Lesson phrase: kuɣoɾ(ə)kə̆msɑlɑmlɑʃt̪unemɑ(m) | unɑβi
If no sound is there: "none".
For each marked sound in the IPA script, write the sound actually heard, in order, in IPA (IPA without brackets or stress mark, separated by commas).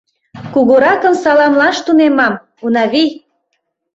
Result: ɑ, m